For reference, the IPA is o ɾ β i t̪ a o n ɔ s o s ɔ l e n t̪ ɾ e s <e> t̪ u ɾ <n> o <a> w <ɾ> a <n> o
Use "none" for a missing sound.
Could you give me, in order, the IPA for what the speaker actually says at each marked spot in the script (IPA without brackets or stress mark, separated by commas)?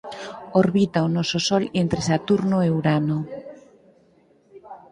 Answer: a, n, e, ɾ, n